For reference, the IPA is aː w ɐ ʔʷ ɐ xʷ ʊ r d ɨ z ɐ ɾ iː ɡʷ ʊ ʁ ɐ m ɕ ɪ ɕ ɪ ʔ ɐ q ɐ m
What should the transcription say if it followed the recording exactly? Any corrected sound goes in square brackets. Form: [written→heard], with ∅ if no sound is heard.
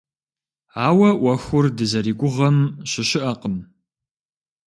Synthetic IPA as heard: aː w ɐ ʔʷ ɐ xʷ ʊ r d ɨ z ɐ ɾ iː ɡʷ ʊ ʁ ɐ m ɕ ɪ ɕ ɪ ʔ ɐ q [ɐ→ə] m